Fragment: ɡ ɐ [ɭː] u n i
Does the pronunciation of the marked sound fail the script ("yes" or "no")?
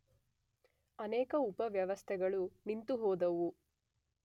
yes